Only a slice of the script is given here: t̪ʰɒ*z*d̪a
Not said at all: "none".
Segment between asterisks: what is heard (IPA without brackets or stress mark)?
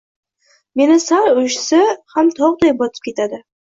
ʁ